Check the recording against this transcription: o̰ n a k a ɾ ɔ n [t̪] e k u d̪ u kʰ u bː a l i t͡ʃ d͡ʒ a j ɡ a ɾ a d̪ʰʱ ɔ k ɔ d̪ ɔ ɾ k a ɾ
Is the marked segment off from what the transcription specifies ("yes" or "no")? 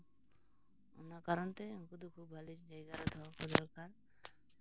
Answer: no